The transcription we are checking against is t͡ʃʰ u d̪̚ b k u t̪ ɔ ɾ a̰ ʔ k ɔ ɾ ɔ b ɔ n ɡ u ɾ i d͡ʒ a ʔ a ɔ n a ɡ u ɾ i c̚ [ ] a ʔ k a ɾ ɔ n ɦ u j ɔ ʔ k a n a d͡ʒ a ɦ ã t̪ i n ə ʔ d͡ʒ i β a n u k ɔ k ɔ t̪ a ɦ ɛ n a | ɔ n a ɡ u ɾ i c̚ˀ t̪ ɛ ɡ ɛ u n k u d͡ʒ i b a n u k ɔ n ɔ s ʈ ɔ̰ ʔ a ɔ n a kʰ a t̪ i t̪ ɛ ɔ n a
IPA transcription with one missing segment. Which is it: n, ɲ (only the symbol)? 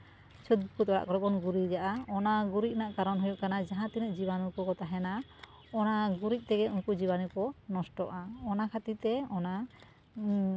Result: n